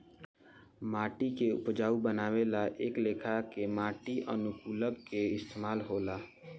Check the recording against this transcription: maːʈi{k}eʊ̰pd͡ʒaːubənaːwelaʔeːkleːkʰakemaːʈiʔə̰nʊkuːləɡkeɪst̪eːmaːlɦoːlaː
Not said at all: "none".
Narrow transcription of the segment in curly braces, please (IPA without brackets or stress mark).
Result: k